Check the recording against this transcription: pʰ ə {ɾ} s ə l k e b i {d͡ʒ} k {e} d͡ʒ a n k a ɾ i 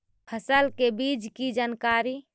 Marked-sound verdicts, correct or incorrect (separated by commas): incorrect, correct, incorrect